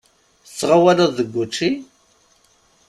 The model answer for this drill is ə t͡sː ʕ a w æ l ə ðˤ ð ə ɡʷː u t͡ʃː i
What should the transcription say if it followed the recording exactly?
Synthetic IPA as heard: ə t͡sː ʁ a w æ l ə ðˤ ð ə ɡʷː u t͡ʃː i